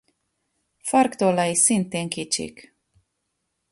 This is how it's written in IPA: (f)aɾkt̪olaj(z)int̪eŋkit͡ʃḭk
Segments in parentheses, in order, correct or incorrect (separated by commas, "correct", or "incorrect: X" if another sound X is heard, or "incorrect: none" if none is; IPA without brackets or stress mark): correct, incorrect: s